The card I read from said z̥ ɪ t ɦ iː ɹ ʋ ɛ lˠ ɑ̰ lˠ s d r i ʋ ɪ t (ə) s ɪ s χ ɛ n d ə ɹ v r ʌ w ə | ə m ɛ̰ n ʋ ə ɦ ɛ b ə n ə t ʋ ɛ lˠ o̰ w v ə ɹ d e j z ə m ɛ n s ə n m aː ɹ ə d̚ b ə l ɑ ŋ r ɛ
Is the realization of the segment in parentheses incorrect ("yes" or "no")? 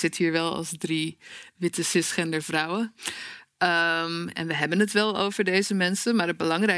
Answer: no